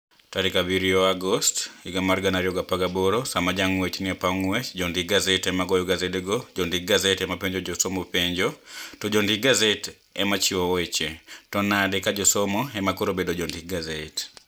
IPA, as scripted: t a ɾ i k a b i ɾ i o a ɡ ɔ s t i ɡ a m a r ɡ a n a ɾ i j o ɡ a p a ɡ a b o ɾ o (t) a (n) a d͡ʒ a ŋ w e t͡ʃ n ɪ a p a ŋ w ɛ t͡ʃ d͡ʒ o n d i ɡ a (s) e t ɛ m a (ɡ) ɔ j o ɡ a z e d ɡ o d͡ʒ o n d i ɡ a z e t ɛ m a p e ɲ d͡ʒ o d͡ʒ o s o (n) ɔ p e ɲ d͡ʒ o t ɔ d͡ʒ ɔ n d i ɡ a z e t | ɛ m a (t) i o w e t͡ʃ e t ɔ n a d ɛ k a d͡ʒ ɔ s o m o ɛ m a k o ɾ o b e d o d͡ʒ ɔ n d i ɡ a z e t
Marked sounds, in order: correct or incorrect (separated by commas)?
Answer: incorrect, incorrect, incorrect, correct, incorrect, incorrect